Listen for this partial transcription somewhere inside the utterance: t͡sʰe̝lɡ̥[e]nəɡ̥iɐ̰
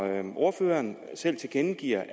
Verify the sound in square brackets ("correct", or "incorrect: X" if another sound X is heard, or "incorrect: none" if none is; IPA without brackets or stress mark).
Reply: correct